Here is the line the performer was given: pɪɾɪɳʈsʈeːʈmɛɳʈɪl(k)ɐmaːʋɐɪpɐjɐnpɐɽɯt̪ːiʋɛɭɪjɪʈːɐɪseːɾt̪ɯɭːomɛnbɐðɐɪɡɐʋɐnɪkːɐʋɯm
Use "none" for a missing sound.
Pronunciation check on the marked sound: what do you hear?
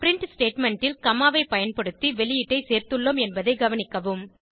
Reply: k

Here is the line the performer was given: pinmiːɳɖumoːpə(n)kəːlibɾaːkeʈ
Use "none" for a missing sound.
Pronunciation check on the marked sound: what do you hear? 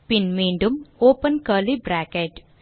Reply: n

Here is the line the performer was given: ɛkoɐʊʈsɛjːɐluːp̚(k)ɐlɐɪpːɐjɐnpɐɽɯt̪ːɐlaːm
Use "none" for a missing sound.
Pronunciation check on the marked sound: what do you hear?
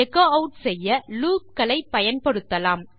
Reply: k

